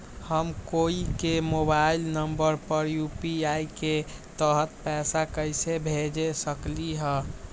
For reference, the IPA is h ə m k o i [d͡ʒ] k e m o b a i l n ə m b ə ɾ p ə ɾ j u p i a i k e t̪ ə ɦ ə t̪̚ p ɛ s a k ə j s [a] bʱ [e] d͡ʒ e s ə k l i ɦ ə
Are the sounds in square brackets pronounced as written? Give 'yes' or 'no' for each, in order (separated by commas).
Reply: no, no, yes